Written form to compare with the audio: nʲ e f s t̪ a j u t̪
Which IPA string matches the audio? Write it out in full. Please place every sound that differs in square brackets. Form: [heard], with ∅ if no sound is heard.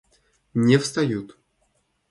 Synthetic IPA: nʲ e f s t̪ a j u t̪